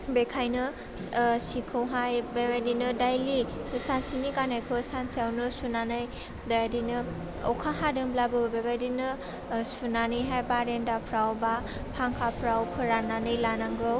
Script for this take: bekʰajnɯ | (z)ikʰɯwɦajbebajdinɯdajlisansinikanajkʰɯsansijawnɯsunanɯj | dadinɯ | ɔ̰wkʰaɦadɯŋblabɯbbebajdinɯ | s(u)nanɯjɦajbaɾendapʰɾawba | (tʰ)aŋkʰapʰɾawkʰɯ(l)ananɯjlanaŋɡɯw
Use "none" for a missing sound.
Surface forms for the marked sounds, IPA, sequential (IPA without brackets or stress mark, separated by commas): s, u, pʰ, ɾ